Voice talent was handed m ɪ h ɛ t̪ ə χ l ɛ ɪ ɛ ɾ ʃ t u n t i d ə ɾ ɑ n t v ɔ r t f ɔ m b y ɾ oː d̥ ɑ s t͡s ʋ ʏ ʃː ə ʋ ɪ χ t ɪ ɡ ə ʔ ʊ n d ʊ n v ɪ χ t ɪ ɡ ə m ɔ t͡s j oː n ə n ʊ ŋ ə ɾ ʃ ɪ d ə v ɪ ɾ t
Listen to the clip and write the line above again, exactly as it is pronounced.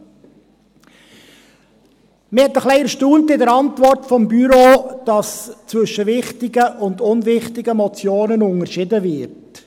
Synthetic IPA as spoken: m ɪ h ɛ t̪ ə χ l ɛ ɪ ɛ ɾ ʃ t uː n t ɪ d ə ɾ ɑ n t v ɔ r t f ɔ m b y ɾ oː d̥ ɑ s t͡s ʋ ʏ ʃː ə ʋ ɪ χ t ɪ ɡ ə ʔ ʊ n d ʊ n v ɪ χ t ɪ ɡ ə m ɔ t͡s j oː n ə n ʊ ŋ ə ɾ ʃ ɪ d ə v ɪ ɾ t